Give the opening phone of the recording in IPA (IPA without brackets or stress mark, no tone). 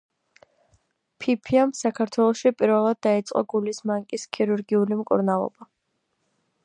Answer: pʰ